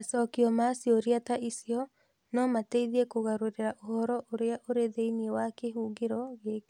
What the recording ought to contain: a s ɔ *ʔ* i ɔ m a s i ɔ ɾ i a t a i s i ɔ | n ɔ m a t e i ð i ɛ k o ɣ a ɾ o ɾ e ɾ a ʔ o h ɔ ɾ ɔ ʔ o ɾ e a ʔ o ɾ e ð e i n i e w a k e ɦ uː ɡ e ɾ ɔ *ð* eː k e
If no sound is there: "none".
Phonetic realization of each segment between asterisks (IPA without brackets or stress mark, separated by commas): k, ɣ